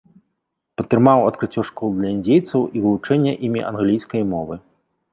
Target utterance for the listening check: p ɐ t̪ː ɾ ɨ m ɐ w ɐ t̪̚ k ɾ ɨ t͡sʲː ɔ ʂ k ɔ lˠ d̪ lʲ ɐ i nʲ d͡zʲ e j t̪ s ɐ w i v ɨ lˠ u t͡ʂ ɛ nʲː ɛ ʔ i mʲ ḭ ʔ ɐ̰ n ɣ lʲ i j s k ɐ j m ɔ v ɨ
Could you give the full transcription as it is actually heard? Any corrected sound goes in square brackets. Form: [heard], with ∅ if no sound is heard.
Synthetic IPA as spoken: p ɐ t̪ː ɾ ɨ m [a] w ɐ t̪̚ k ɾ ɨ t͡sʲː ɔ ʂ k ɔ lˠ d̪ lʲ ɐ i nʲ d͡zʲ e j t̪ s ɐ w i v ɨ lˠ u t͡ʂ ɛ nʲː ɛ ʔ i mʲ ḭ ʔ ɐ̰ n ɣ lʲ i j s k ɐ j m ɔ v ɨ